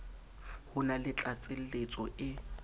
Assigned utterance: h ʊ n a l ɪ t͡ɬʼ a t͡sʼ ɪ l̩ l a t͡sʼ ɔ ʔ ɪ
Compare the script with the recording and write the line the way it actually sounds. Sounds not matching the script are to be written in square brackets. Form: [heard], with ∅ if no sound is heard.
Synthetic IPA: h ʊ n a l ɪ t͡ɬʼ a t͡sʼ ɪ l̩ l [e] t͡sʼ ɔ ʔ ɪ